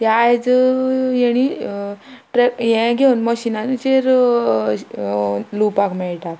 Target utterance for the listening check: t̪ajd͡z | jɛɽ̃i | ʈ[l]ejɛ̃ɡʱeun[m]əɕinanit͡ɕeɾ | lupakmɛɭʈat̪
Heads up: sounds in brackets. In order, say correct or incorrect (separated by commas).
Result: incorrect, correct